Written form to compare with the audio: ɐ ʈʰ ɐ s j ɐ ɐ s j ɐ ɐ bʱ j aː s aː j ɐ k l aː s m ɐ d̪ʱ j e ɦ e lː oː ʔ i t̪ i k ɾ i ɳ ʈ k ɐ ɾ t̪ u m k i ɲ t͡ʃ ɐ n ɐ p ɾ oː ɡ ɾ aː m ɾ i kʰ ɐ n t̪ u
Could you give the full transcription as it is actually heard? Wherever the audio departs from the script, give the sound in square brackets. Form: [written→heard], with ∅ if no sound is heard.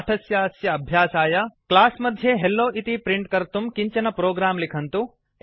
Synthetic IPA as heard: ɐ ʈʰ ɐ s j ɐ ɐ s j ɐ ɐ bʱ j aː s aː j ɐ k l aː s m ɐ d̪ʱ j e ɦ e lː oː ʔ i t̪ i [k→p] ɾ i ɳ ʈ k ɐ ɾ t̪ u m k i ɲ t͡ʃ ɐ n ɐ p ɾ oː ɡ ɾ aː m [ɾ→l] i kʰ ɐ n t̪ u